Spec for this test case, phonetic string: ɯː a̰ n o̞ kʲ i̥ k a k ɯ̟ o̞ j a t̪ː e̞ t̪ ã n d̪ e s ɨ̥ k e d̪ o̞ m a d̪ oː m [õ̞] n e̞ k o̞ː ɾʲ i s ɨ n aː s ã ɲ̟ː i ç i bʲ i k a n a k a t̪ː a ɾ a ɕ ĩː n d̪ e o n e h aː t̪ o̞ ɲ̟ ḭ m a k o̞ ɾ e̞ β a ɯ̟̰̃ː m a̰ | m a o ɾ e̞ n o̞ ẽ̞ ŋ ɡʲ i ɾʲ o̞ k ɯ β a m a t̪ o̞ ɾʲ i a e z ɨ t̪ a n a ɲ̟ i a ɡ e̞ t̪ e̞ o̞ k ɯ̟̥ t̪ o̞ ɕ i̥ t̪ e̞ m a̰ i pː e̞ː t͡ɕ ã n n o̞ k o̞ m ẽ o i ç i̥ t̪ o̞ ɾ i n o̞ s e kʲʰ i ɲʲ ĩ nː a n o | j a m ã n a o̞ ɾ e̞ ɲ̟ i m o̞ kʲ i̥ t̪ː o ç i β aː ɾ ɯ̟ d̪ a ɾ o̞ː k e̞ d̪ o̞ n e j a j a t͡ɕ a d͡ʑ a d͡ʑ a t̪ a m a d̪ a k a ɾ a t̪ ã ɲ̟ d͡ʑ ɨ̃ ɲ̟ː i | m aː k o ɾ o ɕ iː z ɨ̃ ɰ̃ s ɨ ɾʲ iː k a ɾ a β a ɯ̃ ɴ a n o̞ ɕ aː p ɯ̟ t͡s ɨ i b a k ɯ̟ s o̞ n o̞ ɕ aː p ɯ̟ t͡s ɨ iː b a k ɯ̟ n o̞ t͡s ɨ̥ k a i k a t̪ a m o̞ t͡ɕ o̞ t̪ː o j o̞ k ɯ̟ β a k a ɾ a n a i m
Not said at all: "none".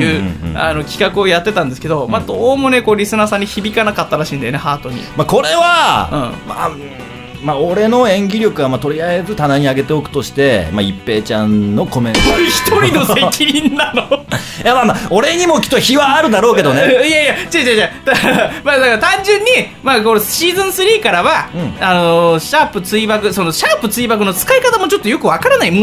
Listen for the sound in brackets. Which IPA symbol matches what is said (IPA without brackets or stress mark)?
o̞